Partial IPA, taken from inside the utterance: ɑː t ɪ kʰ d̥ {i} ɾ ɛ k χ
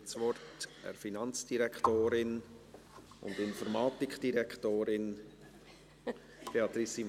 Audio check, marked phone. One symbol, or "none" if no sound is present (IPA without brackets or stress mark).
i